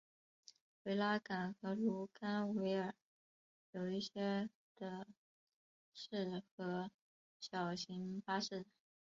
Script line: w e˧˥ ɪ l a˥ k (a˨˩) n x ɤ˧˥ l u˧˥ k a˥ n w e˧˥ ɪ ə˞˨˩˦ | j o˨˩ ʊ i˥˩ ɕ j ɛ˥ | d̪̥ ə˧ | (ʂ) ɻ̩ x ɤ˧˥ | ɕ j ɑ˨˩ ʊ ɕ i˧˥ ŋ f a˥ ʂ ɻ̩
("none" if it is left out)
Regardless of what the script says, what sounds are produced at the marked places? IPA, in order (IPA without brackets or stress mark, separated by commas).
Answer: a˨˩, ʂ